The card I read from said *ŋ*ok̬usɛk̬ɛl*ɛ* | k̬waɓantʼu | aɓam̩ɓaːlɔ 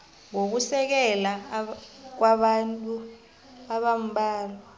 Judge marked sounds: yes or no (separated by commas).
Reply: yes, no